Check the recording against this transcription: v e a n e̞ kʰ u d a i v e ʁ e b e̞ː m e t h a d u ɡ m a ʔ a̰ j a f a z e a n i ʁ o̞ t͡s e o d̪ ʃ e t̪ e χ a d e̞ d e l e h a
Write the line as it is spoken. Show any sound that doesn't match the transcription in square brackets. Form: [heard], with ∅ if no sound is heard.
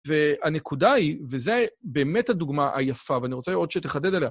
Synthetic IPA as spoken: v e a n e̞ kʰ u d a i v e [z] e b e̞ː m e t h a d u ɡ m a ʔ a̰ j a f a [v] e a n i ʁ o̞ t͡s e o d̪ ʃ e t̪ e χ a d e̞ d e l e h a